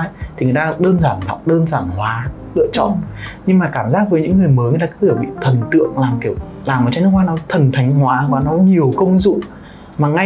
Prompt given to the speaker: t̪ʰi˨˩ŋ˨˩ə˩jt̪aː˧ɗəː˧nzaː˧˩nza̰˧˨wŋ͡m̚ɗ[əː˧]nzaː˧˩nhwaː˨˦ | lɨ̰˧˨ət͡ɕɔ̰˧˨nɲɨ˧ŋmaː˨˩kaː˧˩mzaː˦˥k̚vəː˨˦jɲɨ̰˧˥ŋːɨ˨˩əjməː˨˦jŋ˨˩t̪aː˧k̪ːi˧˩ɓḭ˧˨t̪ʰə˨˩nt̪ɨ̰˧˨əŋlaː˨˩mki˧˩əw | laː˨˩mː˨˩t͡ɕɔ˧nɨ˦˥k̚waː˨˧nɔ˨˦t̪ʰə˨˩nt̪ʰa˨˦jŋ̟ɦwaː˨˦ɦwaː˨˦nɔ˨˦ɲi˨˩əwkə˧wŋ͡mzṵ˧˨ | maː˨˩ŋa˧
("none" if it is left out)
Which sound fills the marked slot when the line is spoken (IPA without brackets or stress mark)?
əː˧